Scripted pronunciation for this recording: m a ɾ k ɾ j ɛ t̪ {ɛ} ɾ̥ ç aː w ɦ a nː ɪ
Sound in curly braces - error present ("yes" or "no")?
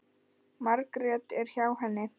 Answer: no